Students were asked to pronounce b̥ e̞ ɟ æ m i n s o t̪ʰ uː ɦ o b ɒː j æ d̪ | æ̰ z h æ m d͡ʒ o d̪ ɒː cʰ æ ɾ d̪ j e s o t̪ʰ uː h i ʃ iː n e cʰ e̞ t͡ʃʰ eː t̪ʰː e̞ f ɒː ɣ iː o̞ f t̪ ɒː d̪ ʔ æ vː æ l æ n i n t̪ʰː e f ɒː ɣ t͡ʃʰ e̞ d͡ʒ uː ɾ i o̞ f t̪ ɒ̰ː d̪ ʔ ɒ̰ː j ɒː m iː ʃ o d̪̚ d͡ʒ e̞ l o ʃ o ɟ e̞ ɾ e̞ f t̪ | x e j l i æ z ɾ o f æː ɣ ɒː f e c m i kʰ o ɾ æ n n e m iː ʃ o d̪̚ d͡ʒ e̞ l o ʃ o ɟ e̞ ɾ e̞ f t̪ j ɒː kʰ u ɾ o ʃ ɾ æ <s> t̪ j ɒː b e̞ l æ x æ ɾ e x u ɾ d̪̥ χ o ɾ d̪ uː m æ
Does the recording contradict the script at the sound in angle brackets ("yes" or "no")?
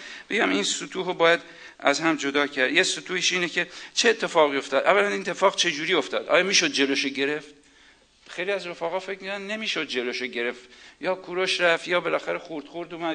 yes